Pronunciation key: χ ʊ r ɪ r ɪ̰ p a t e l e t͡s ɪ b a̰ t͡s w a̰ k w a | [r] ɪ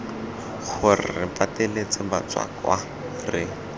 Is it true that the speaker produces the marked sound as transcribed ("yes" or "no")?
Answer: yes